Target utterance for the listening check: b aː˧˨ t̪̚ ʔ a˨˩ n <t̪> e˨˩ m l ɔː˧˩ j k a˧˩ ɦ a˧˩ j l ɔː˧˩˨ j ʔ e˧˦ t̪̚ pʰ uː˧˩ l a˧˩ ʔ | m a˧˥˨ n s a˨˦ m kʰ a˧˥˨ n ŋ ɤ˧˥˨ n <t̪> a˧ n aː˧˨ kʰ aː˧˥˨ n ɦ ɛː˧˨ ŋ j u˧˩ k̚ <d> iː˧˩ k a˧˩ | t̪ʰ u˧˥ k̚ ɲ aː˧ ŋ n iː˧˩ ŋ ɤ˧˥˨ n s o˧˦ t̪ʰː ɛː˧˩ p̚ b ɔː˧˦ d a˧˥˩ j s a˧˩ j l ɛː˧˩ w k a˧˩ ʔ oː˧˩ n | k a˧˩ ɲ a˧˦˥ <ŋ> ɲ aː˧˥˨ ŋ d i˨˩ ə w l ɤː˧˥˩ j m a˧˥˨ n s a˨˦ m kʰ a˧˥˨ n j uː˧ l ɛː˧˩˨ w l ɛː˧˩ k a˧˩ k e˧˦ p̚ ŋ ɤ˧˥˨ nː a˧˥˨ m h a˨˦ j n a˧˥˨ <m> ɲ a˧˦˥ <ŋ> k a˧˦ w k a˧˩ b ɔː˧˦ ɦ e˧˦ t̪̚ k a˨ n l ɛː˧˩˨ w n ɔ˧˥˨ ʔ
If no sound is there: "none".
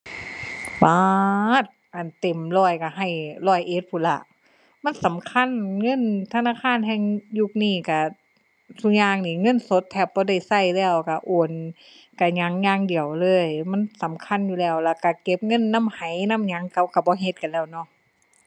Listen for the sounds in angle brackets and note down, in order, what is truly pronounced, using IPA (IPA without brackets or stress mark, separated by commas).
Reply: t̪, t̪ʰ, n, ŋ, m, ŋ